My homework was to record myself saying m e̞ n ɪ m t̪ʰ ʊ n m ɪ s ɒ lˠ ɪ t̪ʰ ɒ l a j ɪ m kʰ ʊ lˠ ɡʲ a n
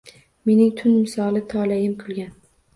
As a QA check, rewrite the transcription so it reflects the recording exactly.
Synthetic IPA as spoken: m e̞ n ɪ ŋ t̪ʰ ʊ n m ɪ s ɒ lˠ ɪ t̪ʰ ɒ l a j ɪ m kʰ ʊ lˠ ɡʲ a n